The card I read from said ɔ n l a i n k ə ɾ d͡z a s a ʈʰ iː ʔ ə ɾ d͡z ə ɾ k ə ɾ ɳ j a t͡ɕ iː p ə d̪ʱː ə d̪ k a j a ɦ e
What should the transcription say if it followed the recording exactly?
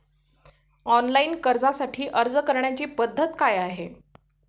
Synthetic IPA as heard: ɔ n l a i n k ə ɾ d͡z a s a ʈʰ iː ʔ ə ɾ d͡z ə k ə ɾ ɳ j a t͡ɕ iː p ə d̪ʱː ə t̪ k a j a ɦ e

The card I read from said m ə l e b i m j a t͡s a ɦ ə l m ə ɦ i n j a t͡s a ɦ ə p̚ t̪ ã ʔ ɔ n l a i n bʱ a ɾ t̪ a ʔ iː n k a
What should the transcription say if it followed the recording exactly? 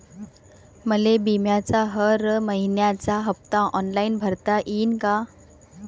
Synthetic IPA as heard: m ə l e b i m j a t͡s a ɦ ə ɾ m ə ɦ i n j a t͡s a ɦ ə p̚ t̪ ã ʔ ɔ n l a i n bʱ ə ɾ t̪ a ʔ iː n k a

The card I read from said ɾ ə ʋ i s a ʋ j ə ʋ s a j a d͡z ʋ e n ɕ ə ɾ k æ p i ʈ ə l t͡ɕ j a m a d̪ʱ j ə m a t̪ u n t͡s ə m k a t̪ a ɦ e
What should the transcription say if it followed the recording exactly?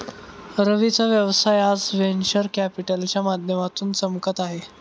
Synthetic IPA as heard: ɾ ə ʋ i t͡s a ʋ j ə ʋ s a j a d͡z ʋ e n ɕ ə ɾ k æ p i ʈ ə l t͡ɕ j a m a d̪ʱ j ə m a t̪ uː n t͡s ə m k ə t̪ a ɦ e

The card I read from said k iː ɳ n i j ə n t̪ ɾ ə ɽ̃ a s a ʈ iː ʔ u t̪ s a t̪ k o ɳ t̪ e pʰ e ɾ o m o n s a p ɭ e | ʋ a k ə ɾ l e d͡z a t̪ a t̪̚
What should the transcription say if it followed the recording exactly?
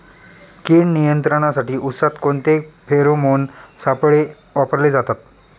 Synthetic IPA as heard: k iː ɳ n i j ə n t̪ ɾ ə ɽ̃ a s a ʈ iː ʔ u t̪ s a t̪ k o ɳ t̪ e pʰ e ɾ o m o n s a p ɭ e | ʋ a p ə ɾ l e d͡z a t̪ a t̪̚

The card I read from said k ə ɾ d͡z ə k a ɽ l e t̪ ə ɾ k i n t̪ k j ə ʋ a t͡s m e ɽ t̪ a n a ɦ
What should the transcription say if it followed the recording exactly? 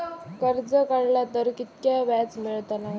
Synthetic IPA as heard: k ə ɾ d͡z ə k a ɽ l a t̪ ə ɾ k i t̪ k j a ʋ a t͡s m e ɭ t̪ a n a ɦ

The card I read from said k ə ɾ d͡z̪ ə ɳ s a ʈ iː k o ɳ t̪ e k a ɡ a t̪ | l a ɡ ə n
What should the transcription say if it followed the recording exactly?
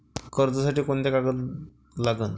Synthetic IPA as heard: k ə ɾ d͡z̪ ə s a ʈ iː k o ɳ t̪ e k a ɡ ə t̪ | l a ɡ ə n

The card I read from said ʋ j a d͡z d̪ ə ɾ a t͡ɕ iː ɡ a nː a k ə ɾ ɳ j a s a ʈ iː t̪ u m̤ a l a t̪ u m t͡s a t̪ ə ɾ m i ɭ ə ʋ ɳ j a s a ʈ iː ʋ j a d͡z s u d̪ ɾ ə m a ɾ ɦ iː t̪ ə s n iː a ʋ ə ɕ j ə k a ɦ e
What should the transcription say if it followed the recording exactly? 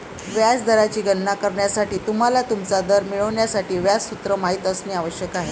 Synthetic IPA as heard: ʋ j a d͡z d̪ ə ɾ a t͡ɕ iː ɡ ə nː a k ə ɾ ɳ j a s a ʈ iː t̪ u m̤ a l a t̪ u m t͡s a d̪ ə ɾ m i ɭ ə ʋ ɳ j a s a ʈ iː ʋ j a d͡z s u t̪ ɾ ə m a ɦ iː t̪ ə s n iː a ʋ ə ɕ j ə k a ɦ e

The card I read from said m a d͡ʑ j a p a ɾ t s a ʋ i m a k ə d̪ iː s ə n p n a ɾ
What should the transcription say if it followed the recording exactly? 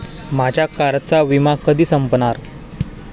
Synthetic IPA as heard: m a d͡ʑ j a k a ɾ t t͡s a ʋ i m a k ə d̪ iː s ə m p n a ɾ

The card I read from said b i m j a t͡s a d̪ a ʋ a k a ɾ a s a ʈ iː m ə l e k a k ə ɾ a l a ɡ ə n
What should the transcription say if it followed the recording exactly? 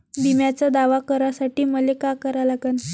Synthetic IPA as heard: b i m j a t͡s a d̪ a ʋ a k ə ɾ a s a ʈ iː m ə l e k a k ə ɾ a l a ɡ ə n

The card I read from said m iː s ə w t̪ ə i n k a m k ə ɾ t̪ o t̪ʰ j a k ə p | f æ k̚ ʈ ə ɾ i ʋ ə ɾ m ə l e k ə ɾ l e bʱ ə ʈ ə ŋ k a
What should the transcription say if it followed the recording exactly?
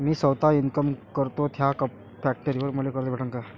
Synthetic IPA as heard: m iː s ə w t̪ a i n k ə m k ə ɾ t̪ o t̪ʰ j a k ə p | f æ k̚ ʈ ə ɾ i ʋ ə ɾ m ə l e k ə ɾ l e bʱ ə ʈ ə ŋ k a

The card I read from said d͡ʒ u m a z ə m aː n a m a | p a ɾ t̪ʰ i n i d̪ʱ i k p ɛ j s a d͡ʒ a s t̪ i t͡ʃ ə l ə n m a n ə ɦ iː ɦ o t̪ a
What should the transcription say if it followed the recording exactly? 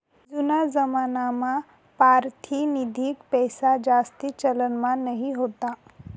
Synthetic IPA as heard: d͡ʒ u n a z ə m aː n a m a | p a ɾ t̪ʰ i n i d̪ʱ i k p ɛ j s a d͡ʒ a s t̪ i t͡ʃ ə l ə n m a n ə ɦ i ɦ o t̪ a

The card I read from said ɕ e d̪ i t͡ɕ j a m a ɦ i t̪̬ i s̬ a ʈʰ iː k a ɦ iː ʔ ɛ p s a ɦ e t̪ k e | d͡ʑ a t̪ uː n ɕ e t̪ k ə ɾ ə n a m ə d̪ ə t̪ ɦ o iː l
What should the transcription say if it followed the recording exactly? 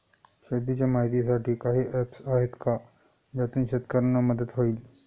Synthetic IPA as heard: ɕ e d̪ i t͡ɕ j a m a ɦ i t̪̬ i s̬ a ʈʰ iː k a ɦ iː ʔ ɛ p s a ɦ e t̪ k a | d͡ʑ a t̪ uː n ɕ e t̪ k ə ɾ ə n a m ə d̪ ə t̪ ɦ o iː l

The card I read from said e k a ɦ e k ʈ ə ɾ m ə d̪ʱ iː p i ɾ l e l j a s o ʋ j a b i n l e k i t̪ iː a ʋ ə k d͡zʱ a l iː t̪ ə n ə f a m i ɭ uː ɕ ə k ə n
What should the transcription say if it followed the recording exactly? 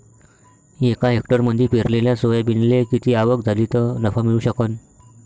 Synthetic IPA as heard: e k a ɦ e k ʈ ə ɾ m ə d̪ʱ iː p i ɾ l e l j a s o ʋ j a b i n l e k i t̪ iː a ʋ ə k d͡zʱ a l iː t̪ ə n ə f a m i ɭ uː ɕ ə k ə n

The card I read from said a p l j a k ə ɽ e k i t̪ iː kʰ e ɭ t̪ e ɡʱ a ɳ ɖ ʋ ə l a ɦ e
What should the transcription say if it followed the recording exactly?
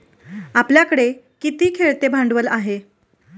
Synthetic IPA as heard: a p l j a k ə ɽ e k i t̪ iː kʰ e ɭ t̪ e bʱ a ɳ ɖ ʋ ə l a ɦ e

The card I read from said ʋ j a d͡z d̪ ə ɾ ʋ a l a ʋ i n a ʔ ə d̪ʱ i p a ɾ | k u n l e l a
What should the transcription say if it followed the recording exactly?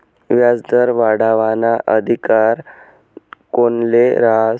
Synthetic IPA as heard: ʋ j a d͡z d̪ ə ɾ ʋ a ɽ a ʋ a n a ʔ ə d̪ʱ i k a ɾ | k o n l e ɾ a

